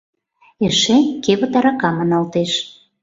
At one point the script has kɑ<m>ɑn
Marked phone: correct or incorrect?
correct